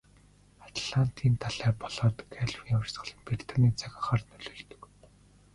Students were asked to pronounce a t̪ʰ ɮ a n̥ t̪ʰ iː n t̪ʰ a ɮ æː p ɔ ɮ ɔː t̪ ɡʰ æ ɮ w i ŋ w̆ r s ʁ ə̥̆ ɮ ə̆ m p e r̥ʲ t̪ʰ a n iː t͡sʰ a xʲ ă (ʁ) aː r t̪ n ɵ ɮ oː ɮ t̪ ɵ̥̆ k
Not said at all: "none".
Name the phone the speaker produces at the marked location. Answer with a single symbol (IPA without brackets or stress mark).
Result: χ